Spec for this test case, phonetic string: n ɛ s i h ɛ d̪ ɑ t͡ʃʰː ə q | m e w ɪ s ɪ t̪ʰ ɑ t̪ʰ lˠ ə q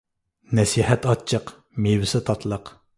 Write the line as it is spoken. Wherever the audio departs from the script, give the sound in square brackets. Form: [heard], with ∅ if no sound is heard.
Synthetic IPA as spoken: n ɛ s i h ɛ [t̪] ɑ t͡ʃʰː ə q | m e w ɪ s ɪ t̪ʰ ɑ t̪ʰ lˠ ə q